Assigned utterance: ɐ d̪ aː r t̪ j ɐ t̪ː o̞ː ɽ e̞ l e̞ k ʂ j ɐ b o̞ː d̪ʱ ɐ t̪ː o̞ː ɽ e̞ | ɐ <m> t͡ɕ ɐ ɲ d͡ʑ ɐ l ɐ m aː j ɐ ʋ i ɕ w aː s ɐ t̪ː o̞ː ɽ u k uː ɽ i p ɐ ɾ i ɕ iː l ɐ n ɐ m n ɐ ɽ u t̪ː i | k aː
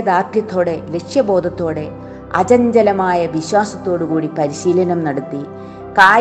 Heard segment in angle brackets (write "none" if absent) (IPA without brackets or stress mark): none